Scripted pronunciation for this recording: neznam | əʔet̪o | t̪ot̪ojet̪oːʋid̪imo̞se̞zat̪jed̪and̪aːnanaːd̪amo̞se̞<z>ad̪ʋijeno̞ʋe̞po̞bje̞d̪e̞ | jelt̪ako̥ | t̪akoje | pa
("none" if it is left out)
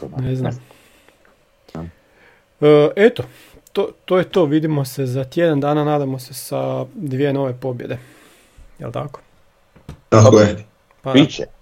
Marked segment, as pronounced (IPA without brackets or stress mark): s